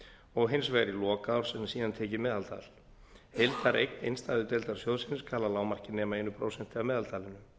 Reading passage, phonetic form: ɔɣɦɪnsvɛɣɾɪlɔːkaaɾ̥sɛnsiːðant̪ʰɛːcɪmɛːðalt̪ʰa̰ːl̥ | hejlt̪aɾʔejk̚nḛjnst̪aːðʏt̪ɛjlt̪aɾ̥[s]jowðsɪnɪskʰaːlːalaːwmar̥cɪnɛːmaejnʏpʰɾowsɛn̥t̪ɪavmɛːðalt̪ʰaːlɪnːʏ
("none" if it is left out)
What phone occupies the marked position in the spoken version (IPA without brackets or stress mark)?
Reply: s